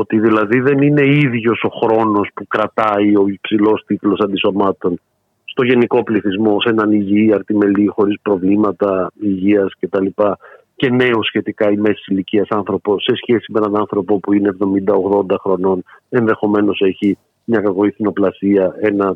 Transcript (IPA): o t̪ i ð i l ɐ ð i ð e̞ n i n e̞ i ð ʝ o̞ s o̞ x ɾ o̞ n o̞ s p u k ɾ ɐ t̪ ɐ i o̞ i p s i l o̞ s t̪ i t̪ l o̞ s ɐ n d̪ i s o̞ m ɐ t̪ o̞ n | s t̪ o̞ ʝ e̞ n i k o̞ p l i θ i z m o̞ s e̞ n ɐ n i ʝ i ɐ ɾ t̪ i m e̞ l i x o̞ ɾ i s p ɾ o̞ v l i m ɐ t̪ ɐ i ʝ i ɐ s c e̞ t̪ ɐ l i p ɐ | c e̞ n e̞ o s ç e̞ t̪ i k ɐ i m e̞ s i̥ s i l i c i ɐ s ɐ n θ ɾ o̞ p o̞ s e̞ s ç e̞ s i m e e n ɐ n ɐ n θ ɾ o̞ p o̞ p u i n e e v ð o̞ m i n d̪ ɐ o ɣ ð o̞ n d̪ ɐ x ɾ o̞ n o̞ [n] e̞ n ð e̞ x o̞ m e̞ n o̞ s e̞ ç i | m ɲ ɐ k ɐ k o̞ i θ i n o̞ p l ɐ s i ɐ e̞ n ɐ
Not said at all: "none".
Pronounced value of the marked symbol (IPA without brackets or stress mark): n